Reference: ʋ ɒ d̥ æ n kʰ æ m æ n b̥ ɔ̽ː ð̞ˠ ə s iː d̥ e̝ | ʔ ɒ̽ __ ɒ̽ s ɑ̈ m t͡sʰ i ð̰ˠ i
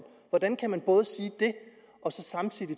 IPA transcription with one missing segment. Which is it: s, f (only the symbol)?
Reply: s